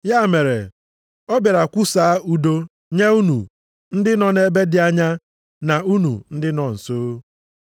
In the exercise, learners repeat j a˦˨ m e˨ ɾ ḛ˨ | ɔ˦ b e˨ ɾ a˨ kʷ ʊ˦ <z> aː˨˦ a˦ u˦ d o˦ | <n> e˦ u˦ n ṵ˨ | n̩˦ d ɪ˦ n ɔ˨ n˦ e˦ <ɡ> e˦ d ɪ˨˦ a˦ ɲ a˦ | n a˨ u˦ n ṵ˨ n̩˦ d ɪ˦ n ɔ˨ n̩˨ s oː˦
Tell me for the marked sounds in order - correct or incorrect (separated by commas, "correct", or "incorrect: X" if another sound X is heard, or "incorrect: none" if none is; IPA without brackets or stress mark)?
incorrect: s, incorrect: ɲ, incorrect: b